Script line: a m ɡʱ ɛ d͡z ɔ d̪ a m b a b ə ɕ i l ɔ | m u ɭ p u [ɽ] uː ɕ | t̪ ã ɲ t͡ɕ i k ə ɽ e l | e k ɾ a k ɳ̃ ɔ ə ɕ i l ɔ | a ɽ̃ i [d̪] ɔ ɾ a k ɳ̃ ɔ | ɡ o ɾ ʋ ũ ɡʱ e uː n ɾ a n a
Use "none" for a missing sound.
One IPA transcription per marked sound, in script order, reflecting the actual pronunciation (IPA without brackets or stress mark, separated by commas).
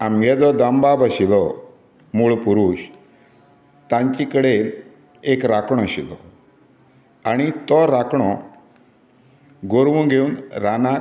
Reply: ɾ, t̪